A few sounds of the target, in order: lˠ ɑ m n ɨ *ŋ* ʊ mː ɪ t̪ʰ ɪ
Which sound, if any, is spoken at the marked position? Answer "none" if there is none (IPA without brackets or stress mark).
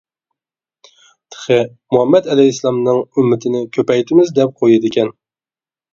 ŋ